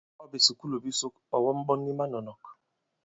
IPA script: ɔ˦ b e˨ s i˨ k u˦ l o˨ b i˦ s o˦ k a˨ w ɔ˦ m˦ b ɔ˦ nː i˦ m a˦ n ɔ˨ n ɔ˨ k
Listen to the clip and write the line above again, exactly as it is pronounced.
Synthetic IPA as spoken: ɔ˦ b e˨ s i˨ k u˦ l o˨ b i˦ s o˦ k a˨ w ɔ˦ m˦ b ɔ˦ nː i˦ m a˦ n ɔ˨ n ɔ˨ k